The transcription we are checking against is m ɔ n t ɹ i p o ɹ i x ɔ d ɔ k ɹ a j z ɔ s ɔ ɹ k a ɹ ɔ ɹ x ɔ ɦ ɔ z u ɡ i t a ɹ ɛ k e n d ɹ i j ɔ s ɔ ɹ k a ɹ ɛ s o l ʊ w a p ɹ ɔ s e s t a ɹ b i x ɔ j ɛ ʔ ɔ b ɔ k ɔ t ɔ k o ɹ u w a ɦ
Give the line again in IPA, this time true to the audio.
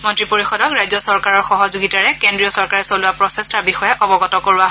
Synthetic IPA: m ɔ n t ɹ i p o ɹ i x ɔ d ɔ k ɹ a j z ɔ s ɔ ɹ k a ɹ ɔ ɹ x ɔ ɦ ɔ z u ɡ i t a ɹ ɛ k e n d ɹ i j ɔ s ɔ ɹ k a ɹ ɛ s o l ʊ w a p ɹ ɔ s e s t a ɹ b i x ɔ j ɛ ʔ ɔ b ɔ ɡ ɔ t ɔ k o ɹ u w a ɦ